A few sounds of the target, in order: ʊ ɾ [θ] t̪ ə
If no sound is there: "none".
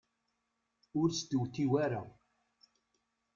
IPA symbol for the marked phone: s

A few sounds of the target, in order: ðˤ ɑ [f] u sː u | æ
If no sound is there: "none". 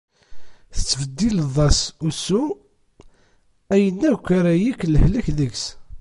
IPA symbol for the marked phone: s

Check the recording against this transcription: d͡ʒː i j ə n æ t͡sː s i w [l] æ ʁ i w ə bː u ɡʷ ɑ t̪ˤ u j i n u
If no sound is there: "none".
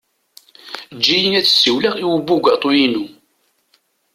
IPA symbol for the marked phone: l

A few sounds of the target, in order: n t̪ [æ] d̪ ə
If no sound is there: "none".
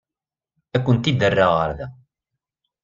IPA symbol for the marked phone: i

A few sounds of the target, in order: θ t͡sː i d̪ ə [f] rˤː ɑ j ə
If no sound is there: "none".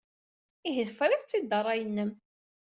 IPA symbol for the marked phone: none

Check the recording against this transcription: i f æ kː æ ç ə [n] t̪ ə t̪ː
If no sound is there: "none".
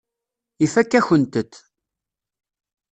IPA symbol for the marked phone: n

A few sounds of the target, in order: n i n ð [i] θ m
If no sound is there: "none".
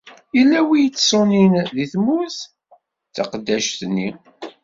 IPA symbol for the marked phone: i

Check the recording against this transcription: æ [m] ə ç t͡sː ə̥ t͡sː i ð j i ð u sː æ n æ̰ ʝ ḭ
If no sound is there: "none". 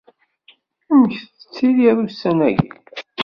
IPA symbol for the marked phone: m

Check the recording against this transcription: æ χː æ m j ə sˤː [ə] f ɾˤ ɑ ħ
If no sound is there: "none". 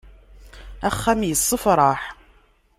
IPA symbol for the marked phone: ə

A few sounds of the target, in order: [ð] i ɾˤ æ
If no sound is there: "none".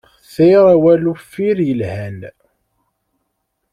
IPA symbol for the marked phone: θ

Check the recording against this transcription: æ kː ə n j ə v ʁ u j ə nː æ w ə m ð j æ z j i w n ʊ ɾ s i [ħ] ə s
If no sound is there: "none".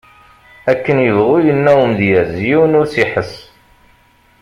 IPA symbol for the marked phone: ħ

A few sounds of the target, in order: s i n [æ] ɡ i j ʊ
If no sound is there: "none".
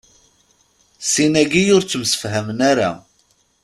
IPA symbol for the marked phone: æ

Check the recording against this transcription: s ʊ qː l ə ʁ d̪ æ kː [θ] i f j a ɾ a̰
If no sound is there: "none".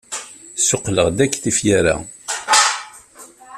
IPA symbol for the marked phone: θ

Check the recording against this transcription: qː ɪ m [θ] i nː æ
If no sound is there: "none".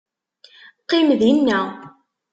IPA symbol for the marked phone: ð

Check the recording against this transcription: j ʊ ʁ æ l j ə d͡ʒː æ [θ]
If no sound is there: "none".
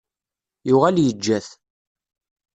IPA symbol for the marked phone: θ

